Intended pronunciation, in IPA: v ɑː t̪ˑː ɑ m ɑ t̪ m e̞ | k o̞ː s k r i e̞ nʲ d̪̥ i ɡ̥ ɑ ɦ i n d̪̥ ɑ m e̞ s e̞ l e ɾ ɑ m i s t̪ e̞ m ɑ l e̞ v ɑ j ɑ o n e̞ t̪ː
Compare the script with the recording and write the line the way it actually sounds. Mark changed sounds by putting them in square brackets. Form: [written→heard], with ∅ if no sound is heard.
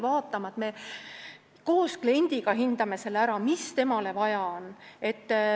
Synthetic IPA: v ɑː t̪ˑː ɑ m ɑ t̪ m e̞ | k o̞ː s k [r→l] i e̞ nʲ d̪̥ i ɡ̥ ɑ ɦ i n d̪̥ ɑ m e̞ s e̞ l [e→æ] ɾ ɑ m i s t̪ e̞ m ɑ l e̞ v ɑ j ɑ o n e̞ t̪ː